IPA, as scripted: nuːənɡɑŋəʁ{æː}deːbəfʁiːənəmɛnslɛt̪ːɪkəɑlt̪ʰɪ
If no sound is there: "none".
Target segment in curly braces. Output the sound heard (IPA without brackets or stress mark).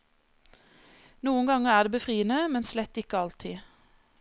æː